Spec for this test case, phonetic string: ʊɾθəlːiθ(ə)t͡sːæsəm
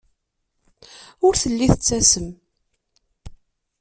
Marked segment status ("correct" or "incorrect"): correct